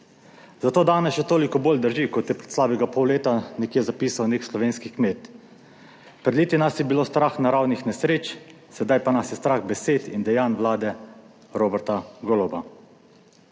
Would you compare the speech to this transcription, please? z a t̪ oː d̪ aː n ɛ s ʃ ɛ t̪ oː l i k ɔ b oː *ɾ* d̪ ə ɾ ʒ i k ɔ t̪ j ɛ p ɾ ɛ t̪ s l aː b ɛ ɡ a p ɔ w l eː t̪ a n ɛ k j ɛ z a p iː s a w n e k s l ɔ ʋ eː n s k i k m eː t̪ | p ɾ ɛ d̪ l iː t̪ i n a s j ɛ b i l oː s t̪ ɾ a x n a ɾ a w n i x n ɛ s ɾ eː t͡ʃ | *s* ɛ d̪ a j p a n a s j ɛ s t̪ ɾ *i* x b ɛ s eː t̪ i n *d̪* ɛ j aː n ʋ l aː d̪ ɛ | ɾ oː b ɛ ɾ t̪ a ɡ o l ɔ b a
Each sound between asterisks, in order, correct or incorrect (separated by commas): incorrect, correct, incorrect, correct